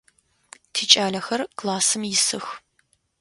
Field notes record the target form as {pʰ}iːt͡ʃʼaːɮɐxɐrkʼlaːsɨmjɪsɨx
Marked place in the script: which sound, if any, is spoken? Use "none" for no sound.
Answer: tʰ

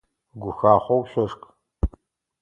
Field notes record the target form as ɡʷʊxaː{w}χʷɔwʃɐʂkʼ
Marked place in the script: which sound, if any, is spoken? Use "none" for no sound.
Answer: none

